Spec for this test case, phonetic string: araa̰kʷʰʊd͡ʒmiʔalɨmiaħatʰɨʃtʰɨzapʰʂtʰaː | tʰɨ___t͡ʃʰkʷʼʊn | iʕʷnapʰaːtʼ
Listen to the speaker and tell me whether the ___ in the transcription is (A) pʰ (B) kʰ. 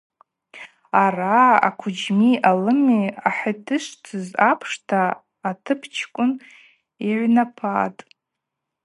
A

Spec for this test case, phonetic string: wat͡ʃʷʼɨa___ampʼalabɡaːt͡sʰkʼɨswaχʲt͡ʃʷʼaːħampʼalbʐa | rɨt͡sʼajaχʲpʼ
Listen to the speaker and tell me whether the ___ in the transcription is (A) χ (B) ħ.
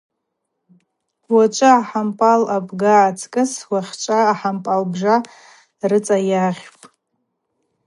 B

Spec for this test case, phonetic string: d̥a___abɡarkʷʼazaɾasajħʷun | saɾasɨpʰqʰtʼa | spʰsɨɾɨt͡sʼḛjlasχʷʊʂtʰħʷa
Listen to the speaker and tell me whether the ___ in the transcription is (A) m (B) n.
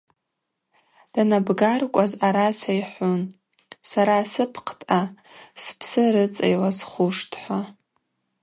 B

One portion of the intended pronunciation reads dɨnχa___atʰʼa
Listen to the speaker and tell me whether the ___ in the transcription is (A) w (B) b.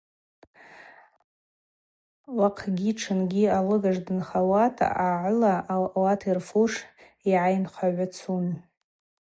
A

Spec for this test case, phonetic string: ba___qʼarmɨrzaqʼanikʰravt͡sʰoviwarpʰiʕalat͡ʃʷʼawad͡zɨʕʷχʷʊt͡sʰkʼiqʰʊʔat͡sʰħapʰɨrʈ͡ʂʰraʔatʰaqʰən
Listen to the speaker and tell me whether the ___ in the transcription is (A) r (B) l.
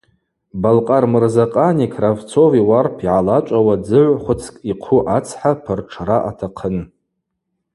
B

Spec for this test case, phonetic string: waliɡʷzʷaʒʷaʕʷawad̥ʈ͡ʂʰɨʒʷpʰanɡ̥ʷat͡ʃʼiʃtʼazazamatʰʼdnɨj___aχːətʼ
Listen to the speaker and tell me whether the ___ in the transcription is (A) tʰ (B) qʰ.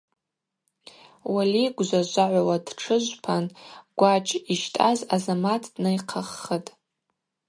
B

